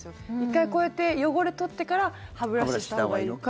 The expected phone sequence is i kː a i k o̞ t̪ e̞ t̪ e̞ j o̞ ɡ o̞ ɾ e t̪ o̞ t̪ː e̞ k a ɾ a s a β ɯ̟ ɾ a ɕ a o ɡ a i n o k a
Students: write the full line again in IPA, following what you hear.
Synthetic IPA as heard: i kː a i k o̞ e̞ t̪ e̞ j o̞ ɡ o̞ ɾ e t̪ o̞ t̪ː e̞ k a ɾ a h a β ɯ̟ ɾ a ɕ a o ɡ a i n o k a